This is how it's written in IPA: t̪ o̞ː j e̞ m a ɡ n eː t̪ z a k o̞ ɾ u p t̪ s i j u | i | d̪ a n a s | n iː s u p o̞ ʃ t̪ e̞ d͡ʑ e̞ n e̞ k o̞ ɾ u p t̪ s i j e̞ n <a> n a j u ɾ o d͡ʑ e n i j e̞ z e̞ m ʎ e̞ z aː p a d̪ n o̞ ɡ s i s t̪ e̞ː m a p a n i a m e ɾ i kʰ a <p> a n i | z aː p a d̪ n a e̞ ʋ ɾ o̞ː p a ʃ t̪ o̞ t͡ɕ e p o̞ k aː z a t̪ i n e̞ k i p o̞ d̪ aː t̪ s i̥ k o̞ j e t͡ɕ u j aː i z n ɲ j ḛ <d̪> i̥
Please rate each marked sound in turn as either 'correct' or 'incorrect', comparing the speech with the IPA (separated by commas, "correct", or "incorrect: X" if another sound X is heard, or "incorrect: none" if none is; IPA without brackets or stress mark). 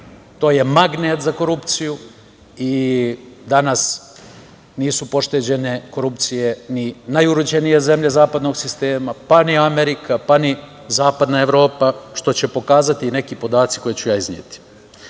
incorrect: i, correct, incorrect: t̪